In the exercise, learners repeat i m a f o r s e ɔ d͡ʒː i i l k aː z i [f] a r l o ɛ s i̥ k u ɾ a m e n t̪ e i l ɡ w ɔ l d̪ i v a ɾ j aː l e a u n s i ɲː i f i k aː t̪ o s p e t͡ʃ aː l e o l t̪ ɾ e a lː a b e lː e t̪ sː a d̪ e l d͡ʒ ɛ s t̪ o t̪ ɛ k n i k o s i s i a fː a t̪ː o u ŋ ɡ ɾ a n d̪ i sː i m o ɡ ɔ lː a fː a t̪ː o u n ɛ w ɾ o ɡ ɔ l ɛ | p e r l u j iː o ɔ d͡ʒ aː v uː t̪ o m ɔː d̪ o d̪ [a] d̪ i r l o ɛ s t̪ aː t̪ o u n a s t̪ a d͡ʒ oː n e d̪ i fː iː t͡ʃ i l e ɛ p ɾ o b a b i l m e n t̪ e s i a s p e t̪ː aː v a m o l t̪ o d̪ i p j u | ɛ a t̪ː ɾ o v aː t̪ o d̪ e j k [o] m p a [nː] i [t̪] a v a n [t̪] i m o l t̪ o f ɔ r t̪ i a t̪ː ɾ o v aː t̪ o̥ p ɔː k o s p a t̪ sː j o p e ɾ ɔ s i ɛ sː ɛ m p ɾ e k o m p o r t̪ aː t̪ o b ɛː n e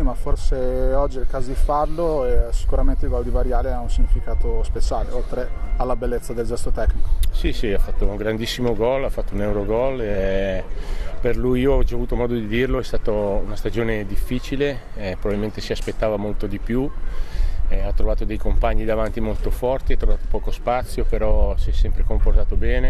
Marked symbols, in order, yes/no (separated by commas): yes, no, yes, no, no, yes